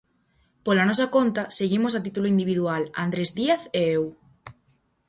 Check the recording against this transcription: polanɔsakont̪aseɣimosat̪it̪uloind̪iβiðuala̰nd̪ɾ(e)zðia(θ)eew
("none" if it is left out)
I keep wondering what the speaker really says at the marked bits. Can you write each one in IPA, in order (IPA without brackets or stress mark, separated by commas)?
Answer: e, θ